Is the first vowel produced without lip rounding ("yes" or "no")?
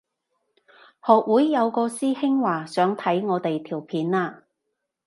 no